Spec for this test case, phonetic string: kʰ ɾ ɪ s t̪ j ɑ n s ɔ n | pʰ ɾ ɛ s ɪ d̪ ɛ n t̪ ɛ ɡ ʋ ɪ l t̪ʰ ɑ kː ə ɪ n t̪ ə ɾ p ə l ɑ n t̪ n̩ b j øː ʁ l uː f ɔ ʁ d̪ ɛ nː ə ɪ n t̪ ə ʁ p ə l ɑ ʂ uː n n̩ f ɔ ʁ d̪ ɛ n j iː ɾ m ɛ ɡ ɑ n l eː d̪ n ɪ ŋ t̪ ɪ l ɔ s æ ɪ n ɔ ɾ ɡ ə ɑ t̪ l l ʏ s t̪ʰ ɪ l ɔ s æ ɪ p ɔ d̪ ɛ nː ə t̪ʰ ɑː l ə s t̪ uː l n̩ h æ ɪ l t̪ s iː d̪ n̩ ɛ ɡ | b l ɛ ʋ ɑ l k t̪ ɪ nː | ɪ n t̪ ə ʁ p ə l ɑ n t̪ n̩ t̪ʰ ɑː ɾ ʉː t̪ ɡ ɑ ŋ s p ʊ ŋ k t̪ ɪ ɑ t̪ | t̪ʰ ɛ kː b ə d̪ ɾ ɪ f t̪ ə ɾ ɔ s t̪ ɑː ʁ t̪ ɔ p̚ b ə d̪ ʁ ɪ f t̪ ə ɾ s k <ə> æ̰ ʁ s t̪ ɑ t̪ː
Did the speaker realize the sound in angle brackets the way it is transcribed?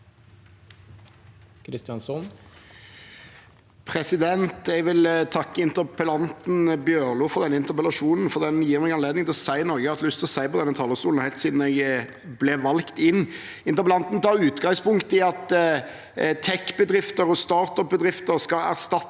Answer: no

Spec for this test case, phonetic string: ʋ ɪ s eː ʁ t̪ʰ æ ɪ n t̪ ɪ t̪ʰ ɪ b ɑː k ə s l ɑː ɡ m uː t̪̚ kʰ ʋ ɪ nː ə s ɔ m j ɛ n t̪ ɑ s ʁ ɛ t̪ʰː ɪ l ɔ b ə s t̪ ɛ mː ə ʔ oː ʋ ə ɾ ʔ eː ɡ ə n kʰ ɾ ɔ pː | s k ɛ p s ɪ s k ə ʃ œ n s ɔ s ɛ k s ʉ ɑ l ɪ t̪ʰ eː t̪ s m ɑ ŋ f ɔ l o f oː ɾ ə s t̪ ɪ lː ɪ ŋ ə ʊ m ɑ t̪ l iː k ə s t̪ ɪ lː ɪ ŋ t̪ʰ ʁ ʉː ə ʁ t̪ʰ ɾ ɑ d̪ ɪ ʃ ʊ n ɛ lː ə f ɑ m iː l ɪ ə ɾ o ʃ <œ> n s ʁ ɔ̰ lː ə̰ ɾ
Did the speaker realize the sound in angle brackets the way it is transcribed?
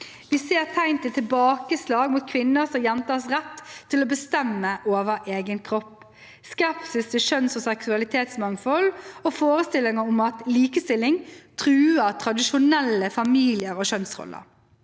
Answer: yes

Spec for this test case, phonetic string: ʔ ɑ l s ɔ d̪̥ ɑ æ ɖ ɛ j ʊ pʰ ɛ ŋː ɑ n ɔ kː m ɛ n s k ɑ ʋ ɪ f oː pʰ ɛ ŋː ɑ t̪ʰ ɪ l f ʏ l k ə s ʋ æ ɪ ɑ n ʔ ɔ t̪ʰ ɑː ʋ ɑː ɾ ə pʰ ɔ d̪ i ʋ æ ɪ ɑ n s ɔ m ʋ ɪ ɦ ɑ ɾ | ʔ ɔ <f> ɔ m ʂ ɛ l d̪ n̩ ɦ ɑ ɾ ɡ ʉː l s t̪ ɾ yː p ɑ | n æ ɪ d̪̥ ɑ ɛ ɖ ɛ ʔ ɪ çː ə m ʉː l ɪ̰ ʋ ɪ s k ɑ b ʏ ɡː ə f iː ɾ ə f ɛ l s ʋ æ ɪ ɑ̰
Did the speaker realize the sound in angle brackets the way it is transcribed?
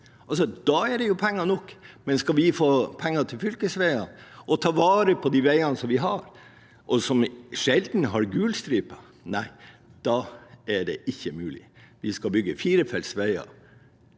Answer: no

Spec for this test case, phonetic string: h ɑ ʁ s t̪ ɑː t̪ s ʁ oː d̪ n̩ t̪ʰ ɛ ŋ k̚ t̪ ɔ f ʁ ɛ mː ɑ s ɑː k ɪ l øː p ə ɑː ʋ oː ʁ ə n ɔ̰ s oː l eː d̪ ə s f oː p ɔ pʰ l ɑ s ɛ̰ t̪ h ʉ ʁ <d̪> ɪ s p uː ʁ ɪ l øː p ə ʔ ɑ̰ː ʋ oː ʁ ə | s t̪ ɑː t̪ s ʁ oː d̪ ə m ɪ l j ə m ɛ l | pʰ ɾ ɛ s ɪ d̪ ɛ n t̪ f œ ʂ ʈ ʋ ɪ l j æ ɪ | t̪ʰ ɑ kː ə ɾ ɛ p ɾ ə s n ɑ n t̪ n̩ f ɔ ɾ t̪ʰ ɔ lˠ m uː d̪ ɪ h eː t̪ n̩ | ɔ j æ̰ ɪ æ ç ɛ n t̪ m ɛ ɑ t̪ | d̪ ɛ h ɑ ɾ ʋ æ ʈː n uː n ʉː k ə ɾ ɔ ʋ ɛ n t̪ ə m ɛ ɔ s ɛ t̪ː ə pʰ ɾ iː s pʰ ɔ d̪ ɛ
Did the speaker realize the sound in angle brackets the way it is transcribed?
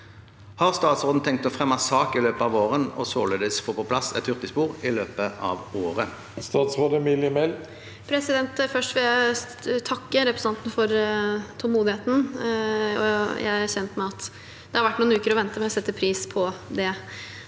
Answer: no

